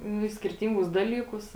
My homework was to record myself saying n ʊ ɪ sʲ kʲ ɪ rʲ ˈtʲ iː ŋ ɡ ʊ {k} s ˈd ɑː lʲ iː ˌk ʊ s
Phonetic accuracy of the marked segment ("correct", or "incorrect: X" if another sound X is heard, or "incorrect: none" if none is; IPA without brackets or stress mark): incorrect: none